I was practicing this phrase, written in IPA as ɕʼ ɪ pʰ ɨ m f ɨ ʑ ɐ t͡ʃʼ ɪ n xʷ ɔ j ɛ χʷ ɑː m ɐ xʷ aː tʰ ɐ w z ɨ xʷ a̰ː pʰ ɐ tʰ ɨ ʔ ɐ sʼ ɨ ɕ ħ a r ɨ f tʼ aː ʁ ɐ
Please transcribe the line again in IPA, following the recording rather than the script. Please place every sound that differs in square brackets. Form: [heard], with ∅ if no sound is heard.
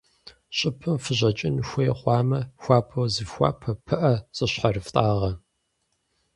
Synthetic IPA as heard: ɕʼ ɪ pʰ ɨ m f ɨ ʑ ɐ t͡ʃʼ ɪ n xʷ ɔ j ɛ χʷ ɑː m ɐ xʷ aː [pʰ] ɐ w z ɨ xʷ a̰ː pʰ ɐ [pʰ] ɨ ʔ ɐ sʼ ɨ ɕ ħ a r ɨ f tʼ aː ʁ ɐ